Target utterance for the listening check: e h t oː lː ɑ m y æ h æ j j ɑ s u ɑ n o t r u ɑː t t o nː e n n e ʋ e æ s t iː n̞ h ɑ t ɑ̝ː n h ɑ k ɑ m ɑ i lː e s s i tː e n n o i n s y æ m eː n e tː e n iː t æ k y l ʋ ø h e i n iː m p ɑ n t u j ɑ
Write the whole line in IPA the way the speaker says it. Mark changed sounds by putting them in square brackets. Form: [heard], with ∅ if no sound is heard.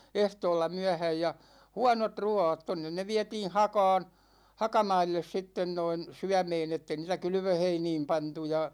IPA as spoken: e h t oː lː ɑ m y æ h æ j j ɑ [h] u ɑ n o t r u ɑː t t o nː e n n e ʋ [i] æ [∅] t iː n̞ h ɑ [k] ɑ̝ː n h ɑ k ɑ m ɑ i lː e s s i tː e n n o i n s y æ m eː n e tː e n iː t æ k y l ʋ ø h e i n iː m p ɑ n t u j ɑ